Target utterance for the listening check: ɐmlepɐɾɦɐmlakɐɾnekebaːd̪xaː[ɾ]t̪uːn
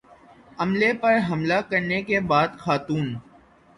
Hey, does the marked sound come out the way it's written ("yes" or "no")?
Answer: no